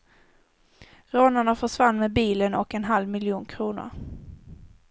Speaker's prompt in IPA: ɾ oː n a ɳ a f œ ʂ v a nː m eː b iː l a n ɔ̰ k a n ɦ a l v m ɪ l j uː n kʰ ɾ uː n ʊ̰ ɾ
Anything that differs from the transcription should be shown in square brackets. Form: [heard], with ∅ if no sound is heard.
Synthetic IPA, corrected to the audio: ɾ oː n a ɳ a f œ ʂ v a nː m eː b iː l [ə] n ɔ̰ k [ɛ] n ɦ a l v m ɪ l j uː n kʰ ɾ uː n ʊ̰ ɾ